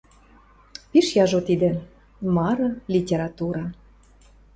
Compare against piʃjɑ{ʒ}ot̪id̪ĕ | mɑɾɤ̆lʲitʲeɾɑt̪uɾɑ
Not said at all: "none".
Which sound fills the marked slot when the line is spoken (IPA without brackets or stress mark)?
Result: ʒ